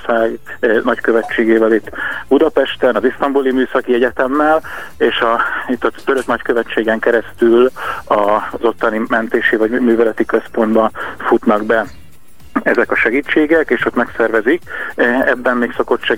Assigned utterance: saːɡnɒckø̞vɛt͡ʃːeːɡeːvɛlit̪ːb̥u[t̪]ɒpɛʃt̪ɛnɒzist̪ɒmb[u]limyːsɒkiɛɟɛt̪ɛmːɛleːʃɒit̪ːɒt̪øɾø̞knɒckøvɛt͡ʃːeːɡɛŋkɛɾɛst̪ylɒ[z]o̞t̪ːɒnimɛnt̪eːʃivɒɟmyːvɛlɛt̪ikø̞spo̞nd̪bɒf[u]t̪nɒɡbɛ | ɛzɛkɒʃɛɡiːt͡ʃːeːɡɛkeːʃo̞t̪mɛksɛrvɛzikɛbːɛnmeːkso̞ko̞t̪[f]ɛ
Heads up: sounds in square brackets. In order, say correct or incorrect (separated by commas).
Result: incorrect, correct, correct, correct, incorrect